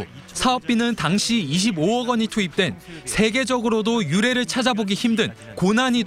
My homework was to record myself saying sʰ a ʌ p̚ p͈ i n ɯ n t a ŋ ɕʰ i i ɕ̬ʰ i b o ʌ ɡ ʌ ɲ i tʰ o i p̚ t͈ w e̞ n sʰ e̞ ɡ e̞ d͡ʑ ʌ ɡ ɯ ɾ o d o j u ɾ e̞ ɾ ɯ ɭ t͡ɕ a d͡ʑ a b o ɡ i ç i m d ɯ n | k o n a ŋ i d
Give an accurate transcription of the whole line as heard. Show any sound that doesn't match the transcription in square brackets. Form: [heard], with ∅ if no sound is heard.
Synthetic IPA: sʰ a ʌ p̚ p͈ i n ɯ n t a ŋ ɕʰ i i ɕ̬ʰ i b o ʌ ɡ ʌ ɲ i tʰ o i p̚ t͈ w e̞ n sʰ e̞ ɡ e̞ d͡ʑ ʌ ɡ ɯ ɾ o d o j u ɾ e̞ ɾ ɯ ɭ [t͡ɕʰ] a d͡ʑ a b o ɡ i ç i m d ɯ n | k o n a [ɲ] i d